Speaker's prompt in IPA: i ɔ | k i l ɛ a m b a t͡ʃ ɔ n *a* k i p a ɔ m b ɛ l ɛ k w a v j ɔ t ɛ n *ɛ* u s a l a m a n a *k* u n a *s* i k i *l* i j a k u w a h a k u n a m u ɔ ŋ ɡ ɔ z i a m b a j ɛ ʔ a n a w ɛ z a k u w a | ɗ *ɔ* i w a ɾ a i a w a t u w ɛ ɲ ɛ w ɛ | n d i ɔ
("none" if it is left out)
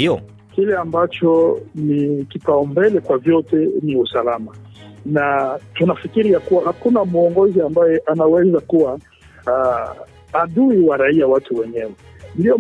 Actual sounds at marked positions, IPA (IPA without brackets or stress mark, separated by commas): i, i, t, f, ɾ, u